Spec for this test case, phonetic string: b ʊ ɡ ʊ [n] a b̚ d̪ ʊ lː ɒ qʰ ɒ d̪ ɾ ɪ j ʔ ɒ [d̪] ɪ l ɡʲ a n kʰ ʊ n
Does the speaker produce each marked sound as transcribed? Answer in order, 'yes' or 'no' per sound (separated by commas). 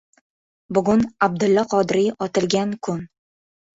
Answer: yes, no